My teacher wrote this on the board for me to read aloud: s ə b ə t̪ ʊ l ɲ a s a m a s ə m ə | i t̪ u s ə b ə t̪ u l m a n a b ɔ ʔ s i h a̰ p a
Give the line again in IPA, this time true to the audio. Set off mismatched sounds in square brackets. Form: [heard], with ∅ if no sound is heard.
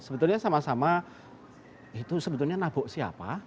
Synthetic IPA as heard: s ə b ə t̪ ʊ l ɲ a s a m a s [a] m [a] | i t̪ u s ə b ə t̪ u l [ɲ] a n a b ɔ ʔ s i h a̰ p a

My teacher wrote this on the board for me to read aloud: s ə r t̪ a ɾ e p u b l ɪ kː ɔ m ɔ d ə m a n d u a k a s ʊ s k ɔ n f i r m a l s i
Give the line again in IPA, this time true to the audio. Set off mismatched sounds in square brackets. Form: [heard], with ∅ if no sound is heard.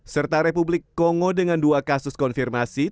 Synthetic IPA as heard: s ə r t̪ a ɾ e p u b l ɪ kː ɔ [ŋ] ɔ d ə [ŋ] a n d u a k a s ʊ s k ɔ n f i r m a [∅] s i

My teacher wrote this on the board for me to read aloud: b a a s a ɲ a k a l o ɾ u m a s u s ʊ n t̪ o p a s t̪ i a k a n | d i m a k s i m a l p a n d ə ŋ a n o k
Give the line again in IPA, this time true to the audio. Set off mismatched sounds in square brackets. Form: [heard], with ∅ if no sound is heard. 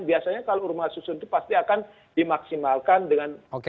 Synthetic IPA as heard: b [i] a s a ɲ a k a l o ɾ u m a s u s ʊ n t̪ [u] p a s t̪ i a k a n | d i m a k s i m a l [k] a n d ə ŋ a n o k

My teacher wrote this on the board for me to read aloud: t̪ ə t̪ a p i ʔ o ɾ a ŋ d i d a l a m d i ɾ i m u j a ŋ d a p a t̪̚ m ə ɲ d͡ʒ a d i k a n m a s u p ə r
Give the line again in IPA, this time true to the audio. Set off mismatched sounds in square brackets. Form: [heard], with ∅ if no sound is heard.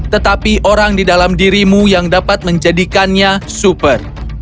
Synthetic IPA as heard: t̪ ə t̪ a p i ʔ o ɾ a ŋ d i d a l a m d i ɾ i m u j a ŋ d a p a t̪̚ m ə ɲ d͡ʒ a d i k a n [ɲ] a s u p ə r

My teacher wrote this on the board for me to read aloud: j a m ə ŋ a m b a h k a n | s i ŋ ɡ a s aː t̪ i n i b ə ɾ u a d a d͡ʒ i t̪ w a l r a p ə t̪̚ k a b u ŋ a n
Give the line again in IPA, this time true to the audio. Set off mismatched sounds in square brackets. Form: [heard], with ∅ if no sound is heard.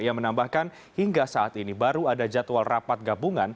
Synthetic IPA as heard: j a m ə [n] a m b a h k a n | [h] i ŋ ɡ a s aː t̪ i n i b [a] ɾ u a d a d͡ʒ [a] t̪ w a l r a p [a] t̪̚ [ɡ] a b u ŋ a n

